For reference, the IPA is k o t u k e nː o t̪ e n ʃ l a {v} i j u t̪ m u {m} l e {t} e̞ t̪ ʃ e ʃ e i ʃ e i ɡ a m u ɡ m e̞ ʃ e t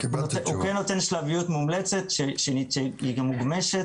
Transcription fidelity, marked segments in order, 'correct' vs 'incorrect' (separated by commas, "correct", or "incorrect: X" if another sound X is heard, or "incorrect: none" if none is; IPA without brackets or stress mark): correct, correct, incorrect: t͡s